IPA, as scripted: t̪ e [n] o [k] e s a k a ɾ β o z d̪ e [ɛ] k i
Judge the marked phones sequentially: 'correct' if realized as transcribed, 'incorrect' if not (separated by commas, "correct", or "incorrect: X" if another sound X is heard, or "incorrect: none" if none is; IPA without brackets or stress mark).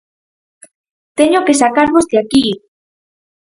incorrect: ɲ, correct, incorrect: a